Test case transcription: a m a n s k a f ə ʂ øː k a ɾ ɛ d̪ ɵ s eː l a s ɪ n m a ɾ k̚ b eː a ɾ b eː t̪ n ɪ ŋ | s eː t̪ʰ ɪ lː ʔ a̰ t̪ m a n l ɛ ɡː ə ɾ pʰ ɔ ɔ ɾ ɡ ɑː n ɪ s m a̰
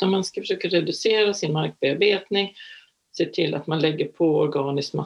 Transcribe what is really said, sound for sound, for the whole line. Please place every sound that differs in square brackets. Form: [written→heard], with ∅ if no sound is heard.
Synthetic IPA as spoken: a m a n s k a f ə ʂ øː k a ɾ ɛ d̪ ɵ s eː [l→ɾ] a s ɪ n m a ɾ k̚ b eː a ɾ b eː t̪ n ɪ ŋ | s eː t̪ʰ ɪ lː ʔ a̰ t̪ m a n l ɛ ɡː ə ɾ pʰ ɔ ɔ ɾ ɡ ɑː n ɪ s m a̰